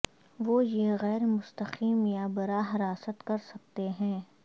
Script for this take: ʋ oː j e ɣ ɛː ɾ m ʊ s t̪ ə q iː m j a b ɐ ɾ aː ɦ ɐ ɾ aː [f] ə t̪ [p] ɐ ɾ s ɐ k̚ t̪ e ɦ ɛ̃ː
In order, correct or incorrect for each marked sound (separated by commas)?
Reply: incorrect, incorrect